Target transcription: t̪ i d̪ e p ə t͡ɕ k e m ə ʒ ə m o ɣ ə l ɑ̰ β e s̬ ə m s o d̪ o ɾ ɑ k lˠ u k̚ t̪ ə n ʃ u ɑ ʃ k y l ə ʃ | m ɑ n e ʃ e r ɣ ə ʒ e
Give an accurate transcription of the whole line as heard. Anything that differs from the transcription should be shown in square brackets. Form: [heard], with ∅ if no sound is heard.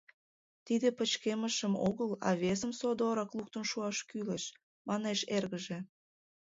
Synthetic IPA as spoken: t̪ i d̪ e p ə t͡ɕ k e m ə [ʃ] ə m o ɣ ə l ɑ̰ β e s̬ ə m s o d̪ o ɾ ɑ k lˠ u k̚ t̪ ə n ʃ u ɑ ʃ k y l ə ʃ | m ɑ n e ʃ e r ɣ ə ʒ e